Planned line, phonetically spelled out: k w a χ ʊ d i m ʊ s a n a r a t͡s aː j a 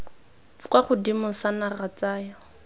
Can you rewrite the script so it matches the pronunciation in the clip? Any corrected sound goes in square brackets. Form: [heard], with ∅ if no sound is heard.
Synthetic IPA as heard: k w a χ ʊ d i m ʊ s a n a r a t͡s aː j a